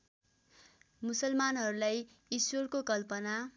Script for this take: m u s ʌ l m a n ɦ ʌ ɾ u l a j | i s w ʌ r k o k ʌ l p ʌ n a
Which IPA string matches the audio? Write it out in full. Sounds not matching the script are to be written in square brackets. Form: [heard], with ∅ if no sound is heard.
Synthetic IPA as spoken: m u s ʌ l m a n ɦ ʌ ɾ u l a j | i s w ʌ r k o k ʌ l p ʌ n a